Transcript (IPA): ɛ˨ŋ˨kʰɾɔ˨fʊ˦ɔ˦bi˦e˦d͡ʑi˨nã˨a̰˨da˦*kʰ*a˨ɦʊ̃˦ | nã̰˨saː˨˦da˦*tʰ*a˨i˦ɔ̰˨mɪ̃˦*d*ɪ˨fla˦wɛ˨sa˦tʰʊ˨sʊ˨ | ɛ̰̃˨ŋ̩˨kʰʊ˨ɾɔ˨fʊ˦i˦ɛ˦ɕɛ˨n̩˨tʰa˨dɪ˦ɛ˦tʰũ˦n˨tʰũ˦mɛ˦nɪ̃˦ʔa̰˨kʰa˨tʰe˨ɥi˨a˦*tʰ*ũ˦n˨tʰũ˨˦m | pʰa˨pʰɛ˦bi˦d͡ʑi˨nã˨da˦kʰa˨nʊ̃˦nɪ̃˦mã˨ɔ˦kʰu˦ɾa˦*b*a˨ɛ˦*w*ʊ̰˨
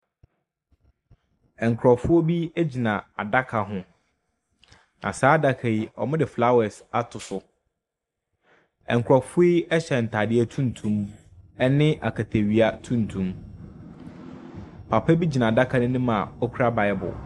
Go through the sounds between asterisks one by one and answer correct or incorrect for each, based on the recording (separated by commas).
correct, incorrect, correct, correct, correct, incorrect